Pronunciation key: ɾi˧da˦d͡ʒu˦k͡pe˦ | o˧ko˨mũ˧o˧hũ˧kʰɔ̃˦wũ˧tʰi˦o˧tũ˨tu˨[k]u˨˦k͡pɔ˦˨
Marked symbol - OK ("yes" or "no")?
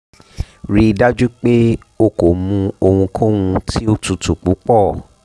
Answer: no